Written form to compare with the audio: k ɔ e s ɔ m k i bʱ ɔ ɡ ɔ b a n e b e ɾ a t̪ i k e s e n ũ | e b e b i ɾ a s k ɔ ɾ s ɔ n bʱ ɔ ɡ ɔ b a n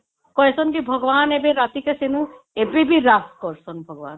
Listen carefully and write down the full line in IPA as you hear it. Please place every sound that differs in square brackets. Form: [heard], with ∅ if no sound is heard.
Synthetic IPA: k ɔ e s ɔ [n] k i bʱ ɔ ɡ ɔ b a n e b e ɾ a t̪ i k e s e n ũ | e b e b i ɾ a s k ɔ ɾ s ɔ n bʱ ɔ ɡ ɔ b a n

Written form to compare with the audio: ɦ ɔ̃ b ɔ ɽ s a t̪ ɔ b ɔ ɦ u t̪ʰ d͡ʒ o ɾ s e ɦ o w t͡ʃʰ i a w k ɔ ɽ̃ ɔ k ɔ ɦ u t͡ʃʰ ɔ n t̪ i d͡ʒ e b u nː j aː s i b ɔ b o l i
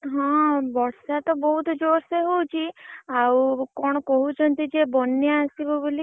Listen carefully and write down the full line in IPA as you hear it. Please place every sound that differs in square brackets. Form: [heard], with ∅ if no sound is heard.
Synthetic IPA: ɦ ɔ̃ b ɔ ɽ s a t̪ ɔ b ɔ ɦ u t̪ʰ d͡ʒ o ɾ s e ɦ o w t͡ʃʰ i a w k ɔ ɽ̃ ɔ k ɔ ɦ u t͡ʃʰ ɔ n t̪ i d͡ʒ e b [ɔ] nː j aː s i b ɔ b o l i

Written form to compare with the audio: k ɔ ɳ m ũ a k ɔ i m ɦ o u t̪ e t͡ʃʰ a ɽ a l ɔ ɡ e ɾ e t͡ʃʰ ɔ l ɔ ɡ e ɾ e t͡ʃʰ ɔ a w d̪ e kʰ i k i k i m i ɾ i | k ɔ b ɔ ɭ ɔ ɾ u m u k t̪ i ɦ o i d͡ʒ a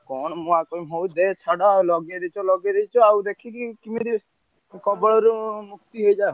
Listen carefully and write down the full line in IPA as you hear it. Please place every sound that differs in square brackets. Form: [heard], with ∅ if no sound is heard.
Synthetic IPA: k ɔ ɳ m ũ a k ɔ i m ɦ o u [d̪] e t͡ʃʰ a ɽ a l ɔ ɡ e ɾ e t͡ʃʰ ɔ l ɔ ɡ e ɾ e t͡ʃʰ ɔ a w d̪ e kʰ i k i k i m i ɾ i | k ɔ b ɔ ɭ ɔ ɾ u m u k t̪ i ɦ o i d͡ʒ a

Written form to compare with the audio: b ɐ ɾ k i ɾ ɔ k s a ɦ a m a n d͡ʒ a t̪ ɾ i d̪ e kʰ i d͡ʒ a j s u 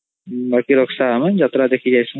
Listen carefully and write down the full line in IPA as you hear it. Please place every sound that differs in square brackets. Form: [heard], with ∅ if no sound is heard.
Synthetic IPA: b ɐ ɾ k i ɾ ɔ k s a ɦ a m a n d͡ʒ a t̪ ɾ [a] d̪ e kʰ i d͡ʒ a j s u

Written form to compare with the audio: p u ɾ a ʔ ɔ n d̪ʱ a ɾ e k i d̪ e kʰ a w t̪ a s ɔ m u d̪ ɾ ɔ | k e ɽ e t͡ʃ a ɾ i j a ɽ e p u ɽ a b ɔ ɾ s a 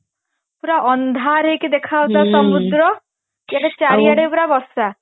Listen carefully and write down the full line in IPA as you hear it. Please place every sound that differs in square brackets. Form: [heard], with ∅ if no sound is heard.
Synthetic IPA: p u ɾ a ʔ ɔ n d̪ʱ a ɾ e k i d̪ e kʰ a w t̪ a s ɔ m u d̪ ɾ ɔ | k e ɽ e t͡ʃ a ɾ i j a ɽ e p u [ɾ] a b ɔ ɾ s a

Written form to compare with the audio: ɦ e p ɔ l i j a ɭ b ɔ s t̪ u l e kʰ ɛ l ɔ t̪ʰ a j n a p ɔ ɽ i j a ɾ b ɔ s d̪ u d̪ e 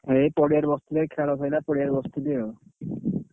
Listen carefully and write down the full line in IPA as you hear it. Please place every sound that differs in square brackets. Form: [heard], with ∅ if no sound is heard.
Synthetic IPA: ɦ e p ɔ [ɽ] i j a [ɾ] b ɔ s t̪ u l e kʰ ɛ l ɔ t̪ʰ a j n a p ɔ ɽ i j a ɾ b ɔ s [t̪] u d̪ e

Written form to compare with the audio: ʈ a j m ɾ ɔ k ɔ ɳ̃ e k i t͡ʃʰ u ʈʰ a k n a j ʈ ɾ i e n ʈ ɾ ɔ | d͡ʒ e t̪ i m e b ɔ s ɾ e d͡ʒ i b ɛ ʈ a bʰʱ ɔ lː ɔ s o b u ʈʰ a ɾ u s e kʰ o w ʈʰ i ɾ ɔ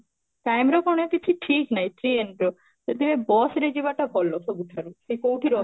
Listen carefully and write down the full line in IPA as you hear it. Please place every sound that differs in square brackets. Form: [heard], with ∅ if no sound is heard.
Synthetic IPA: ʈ a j m ɾ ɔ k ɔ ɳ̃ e k i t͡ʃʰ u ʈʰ [i] k n a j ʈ ɾ i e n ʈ ɾ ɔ | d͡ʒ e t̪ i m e b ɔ s ɾ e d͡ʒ i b [a] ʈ a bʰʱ ɔ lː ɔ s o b u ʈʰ a ɾ u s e [k] o w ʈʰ i ɾ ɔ

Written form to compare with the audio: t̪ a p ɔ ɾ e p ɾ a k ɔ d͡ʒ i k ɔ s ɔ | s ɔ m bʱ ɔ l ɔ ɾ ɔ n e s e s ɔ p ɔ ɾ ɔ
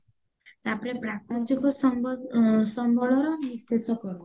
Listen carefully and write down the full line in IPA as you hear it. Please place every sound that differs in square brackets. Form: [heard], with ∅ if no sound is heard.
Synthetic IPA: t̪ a p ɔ ɾ e p ɾ a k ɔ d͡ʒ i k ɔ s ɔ | s ɔ m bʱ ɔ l ɔ ɾ ɔ n [i] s e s ɔ [k] ɔ ɾ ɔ

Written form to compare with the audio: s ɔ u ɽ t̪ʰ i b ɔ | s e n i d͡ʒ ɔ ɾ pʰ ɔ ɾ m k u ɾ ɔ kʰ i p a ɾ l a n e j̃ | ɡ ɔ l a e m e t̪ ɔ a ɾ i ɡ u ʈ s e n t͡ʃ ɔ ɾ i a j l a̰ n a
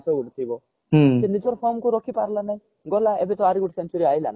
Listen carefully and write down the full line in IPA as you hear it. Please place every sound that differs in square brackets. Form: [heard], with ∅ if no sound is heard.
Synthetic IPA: s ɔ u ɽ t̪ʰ i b ɔ | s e n i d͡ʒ ɔ ɾ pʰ ɔ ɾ m k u ɾ ɔ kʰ i p a ɾ l a n [a] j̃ | ɡ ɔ l a e [b] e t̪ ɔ a ɾ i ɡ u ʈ s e n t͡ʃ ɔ ɾ i a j l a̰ n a

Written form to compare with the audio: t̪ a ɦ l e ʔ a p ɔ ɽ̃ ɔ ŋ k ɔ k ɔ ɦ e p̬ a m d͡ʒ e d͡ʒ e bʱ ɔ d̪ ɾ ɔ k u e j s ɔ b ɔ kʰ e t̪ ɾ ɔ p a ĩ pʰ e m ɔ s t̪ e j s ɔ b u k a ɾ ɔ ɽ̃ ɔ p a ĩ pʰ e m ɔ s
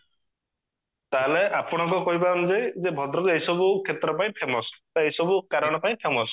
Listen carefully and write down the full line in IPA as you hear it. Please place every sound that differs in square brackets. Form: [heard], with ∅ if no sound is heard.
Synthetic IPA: t̪ a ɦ l e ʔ a p ɔ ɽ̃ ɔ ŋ k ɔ k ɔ ɦ [i] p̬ a m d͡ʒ e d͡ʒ e bʱ ɔ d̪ ɾ ɔ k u e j s ɔ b [u] kʰ e t̪ ɾ ɔ p a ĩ pʰ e m ɔ s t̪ e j s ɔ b u k a ɾ ɔ ɽ̃ ɔ p a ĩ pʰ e m ɔ s

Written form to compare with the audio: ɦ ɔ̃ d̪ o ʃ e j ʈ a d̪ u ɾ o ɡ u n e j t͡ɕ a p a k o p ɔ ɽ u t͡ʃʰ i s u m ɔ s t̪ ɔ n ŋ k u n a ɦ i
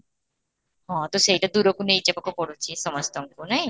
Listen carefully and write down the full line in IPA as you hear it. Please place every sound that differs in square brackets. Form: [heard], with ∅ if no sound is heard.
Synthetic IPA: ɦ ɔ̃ [t̪] o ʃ e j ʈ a d̪ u ɾ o [k] u n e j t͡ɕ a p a k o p ɔ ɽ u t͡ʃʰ i s [ɔ] m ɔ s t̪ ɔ [∅] ŋ k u n a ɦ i

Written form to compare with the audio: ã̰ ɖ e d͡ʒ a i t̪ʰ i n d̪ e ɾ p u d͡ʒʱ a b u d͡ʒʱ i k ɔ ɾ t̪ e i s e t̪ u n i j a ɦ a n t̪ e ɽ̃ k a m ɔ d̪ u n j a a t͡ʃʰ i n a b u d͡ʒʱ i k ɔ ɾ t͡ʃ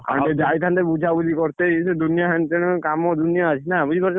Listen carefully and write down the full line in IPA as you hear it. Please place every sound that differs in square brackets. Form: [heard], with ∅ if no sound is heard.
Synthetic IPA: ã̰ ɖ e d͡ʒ a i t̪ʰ [a] n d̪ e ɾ [b] u d͡ʒʱ a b u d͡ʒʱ i k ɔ ɾ t̪ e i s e [d̪] u n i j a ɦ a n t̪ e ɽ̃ k a m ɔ d̪ u n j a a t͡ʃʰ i n a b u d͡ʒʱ i k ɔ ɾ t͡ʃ

